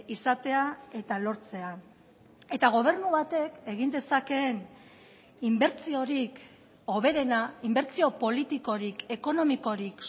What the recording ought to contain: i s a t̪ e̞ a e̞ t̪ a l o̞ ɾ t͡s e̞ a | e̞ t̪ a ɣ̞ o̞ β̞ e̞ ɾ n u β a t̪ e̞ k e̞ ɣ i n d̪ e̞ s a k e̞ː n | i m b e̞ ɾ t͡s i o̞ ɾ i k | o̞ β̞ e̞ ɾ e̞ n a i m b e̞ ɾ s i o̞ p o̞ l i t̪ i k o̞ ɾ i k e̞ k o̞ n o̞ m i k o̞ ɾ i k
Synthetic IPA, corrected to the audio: i s a t̪ e̞ a e̞ t̪ a l o̞ ɾ t͡s e̞ a | e̞ t̪ a ɣ̞ o̞ β̞ e̞ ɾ n u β a t̪ e̞ k e̞ ɣ i n d̪ e̞ s a k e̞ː n | i m b e̞ ɾ t͡s i o̞ ɾ i k | o̞ β̞ e̞ ɾ e̞ n a i m b e̞ ɾ t͡s i o̞ p o̞ l i t̪ i k o̞ ɾ i k e̞ k o̞ n o̞ m i k o̞ ɾ i k